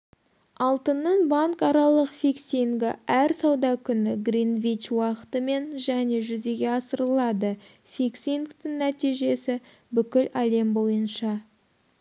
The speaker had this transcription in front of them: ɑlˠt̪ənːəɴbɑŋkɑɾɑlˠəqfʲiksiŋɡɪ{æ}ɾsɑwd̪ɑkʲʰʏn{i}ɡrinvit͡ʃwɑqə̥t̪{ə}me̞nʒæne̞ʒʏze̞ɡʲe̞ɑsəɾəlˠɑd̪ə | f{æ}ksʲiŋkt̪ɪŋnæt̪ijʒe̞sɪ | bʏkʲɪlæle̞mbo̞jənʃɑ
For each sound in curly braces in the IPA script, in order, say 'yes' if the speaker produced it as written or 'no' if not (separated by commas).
yes, no, yes, no